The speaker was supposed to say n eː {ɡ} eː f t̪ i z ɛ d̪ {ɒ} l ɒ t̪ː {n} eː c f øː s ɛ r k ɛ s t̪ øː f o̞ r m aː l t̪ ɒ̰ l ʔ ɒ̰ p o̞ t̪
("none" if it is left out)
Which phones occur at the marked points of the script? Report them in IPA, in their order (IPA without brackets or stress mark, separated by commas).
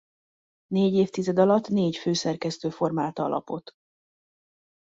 ɟ, ɒ, n